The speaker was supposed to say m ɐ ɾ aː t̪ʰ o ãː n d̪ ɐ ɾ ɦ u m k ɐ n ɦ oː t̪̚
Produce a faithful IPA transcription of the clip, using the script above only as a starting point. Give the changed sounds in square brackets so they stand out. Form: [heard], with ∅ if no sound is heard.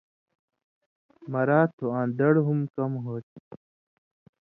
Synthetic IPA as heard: m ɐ ɾ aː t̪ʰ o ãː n d̪ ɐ [ɽ] ɦ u m k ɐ [m] ɦ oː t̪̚

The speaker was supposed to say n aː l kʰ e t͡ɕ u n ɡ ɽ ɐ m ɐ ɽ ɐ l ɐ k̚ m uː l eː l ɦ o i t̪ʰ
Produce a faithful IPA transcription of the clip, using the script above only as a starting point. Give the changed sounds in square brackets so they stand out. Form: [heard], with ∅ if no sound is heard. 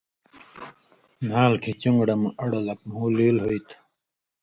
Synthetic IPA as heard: n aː l kʰ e t͡ɕ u [ŋ] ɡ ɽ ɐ m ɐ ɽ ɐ l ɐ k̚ m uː l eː l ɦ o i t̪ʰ

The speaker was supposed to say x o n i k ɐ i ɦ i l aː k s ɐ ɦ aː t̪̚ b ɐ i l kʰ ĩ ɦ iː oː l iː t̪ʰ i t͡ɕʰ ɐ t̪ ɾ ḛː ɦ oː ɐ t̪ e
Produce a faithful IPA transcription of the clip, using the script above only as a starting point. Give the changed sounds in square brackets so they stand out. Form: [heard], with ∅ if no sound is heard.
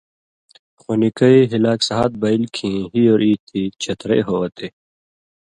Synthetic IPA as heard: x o n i k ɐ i ɦ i l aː k s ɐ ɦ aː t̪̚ b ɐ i l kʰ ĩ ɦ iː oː [ɾ] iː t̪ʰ i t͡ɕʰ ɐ t̪ ɾ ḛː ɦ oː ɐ t̪ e

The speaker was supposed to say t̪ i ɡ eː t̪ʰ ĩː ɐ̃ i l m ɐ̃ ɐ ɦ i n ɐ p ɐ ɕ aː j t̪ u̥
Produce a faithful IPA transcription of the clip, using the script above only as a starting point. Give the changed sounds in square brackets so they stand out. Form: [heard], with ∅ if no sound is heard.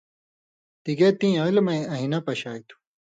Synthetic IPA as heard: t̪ i ɡ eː [t̪] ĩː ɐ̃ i l m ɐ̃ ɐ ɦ i n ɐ p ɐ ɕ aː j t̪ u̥

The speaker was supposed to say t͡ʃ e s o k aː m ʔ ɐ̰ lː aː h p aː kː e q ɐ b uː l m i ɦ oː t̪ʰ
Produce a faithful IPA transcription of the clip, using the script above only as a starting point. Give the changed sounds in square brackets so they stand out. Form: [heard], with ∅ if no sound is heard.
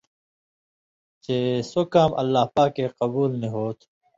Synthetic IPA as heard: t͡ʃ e s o k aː m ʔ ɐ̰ lː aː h p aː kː e q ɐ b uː l [n] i ɦ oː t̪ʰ

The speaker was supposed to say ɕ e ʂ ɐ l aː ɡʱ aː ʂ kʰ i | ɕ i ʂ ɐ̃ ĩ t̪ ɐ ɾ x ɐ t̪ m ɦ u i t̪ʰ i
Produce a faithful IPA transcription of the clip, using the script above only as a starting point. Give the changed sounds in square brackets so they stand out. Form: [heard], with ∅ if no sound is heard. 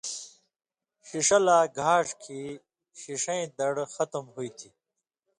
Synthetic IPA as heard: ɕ [i] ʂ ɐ l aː ɡʱ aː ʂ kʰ i | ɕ i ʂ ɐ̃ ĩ [d̪] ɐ [ɽ] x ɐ t̪ m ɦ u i t̪ʰ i

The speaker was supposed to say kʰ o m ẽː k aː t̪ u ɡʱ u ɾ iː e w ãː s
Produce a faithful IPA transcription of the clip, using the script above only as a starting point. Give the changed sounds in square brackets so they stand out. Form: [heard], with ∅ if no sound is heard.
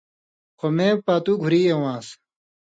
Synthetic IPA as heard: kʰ o m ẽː [p] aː t̪ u ɡʱ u ɾ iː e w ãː s

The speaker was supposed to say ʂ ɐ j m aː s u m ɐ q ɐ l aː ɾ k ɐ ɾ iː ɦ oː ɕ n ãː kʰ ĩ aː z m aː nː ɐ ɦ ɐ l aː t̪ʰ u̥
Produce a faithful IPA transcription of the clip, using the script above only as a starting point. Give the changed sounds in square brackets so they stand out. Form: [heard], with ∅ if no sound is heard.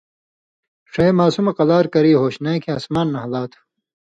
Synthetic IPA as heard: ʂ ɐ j m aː s u m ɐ q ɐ l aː ɾ k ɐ ɾ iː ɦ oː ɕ n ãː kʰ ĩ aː [s] m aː nː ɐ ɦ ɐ l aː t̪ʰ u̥

